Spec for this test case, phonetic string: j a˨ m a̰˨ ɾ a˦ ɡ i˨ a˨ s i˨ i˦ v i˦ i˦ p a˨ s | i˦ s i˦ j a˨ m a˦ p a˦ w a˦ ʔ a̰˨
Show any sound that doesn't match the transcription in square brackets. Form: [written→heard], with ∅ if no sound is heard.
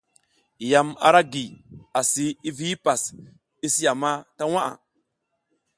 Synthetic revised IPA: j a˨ m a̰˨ ɾ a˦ ɡ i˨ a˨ s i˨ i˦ v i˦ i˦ p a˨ s | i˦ s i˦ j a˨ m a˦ [p→t] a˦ w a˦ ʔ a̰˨